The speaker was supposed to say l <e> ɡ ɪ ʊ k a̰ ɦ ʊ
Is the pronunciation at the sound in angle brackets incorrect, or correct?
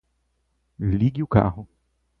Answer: incorrect